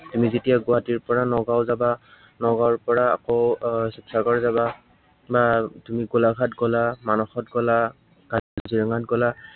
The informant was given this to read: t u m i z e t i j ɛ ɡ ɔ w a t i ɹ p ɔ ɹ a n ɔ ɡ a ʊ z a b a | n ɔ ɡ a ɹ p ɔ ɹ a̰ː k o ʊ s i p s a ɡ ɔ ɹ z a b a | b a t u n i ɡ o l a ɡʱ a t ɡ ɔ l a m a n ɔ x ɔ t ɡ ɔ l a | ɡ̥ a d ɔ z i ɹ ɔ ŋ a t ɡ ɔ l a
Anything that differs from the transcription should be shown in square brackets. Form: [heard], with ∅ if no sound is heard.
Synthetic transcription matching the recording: t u m i z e t i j [a] ɡ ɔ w a t i ɹ p ɔ ɹ a n ɔ ɡ a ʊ z a b a | n ɔ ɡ a ɹ p ɔ ɹ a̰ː k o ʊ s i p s a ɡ ɔ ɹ z a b a | b a t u [m] i ɡ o l a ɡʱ a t ɡ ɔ l a m a n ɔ x ɔ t ɡ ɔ l a | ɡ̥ a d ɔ z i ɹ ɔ ŋ a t ɡ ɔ l a